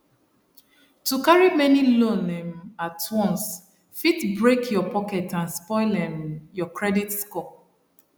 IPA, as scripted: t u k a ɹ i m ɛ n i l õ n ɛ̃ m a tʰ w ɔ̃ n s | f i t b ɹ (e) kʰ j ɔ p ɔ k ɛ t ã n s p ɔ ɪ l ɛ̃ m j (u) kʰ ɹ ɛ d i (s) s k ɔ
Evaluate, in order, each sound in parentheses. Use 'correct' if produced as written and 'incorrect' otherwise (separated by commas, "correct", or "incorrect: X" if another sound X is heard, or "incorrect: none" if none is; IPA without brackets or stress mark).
correct, incorrect: ɔ, incorrect: t